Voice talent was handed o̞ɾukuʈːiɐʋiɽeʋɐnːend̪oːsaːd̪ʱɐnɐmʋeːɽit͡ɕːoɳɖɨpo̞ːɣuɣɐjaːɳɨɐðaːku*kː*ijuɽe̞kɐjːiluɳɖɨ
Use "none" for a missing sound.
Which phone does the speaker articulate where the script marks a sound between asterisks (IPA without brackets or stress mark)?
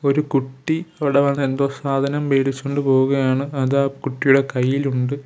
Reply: ʈː